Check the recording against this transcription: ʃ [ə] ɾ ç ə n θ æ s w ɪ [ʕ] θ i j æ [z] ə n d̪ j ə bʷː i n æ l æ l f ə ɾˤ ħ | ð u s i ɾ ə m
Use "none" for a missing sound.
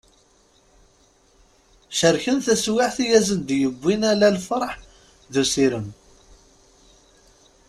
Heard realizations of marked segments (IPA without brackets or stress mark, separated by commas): ə, ʕ, z